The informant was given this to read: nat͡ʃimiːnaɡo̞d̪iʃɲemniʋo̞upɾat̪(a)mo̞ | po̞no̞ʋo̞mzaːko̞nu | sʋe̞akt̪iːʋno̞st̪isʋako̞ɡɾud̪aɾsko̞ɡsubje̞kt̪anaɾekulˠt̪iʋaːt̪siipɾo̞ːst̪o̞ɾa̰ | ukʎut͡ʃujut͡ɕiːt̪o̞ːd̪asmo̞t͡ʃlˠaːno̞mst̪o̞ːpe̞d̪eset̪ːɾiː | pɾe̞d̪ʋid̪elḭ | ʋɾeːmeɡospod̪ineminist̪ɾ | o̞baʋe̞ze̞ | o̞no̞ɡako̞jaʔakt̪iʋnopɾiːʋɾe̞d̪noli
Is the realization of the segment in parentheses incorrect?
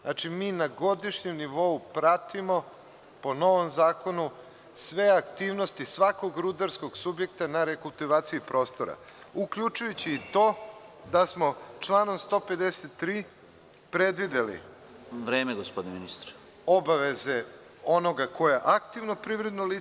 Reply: yes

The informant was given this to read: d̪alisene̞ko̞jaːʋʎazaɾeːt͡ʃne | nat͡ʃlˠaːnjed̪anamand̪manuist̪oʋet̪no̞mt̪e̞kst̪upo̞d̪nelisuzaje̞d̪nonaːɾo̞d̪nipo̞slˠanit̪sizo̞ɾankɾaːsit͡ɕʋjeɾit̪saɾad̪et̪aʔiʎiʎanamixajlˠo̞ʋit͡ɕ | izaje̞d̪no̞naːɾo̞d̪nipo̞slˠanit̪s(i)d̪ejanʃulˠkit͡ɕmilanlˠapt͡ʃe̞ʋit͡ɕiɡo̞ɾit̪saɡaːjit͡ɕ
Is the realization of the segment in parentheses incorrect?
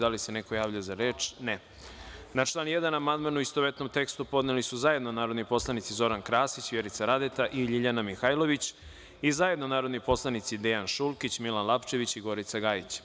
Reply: no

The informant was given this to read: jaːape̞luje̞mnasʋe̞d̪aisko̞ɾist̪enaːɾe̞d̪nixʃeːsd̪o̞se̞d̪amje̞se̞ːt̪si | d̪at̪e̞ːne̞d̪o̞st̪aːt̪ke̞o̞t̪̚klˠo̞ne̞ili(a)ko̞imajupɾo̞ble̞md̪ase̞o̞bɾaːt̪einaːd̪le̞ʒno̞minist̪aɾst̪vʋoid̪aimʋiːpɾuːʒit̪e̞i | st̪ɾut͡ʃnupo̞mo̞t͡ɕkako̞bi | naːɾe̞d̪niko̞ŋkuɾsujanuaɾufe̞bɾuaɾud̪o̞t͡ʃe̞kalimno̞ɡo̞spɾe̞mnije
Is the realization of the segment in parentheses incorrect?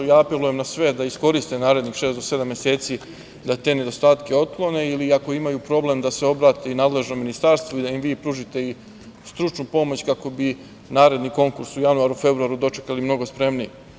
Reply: no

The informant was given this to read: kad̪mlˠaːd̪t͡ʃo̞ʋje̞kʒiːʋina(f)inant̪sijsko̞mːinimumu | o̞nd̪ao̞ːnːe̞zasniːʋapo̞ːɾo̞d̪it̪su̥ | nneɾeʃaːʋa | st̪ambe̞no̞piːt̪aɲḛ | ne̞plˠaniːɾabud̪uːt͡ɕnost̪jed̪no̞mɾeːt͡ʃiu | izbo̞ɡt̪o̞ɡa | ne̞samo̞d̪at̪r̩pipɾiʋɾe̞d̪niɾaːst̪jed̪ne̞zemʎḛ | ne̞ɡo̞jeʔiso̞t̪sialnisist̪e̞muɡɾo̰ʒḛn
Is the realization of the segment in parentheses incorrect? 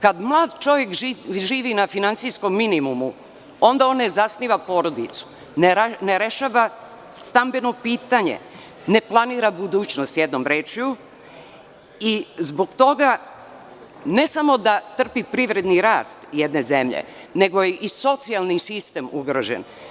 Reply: no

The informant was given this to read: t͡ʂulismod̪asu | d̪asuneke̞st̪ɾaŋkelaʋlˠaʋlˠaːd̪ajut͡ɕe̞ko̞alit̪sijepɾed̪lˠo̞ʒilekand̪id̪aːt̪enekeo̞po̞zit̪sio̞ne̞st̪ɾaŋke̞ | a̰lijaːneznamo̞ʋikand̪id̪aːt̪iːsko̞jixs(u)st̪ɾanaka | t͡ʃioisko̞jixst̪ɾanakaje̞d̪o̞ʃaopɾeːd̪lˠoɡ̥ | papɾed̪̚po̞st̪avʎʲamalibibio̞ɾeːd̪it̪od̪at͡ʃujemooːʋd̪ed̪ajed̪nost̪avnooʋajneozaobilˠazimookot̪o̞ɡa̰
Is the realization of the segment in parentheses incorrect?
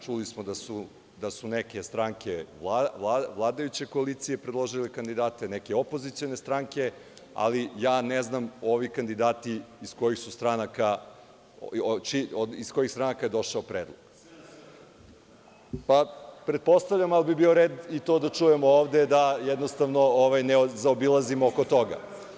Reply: no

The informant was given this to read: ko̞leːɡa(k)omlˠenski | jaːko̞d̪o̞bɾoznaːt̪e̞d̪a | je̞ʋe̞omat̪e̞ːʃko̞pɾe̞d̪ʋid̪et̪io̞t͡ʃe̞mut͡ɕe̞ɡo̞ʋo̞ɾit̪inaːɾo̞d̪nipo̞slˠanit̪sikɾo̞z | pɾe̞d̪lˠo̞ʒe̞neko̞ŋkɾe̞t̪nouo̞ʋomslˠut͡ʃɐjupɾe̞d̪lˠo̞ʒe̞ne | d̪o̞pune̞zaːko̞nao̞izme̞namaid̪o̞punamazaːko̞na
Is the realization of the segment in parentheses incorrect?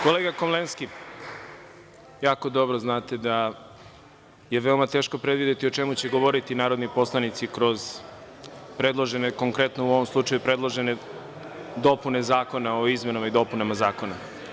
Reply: no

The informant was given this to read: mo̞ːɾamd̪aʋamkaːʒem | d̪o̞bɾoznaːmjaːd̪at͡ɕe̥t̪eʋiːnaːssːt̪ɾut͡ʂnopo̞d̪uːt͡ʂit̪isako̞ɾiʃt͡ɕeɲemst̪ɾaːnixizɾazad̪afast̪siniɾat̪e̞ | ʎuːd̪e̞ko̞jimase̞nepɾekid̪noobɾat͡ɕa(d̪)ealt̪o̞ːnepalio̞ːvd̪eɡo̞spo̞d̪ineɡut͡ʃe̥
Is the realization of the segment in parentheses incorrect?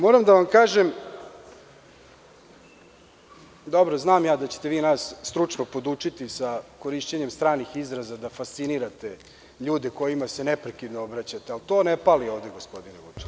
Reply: yes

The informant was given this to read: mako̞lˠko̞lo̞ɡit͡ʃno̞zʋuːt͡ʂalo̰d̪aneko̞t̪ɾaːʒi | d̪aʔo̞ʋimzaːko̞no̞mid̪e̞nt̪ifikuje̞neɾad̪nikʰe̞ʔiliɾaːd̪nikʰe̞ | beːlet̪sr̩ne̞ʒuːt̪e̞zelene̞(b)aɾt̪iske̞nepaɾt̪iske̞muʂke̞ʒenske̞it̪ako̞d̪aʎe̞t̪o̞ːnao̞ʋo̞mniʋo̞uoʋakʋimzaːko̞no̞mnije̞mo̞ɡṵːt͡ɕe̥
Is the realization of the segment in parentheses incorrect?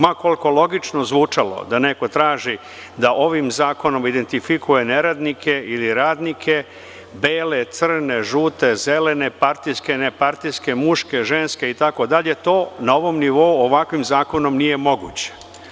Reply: yes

